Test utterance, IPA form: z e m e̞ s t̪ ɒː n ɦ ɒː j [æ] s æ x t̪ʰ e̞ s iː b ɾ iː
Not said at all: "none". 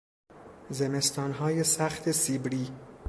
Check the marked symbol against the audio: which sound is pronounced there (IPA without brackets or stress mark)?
e